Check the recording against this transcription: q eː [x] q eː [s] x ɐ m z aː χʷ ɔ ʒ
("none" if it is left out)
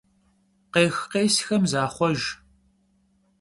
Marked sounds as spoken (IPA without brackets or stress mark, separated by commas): x, s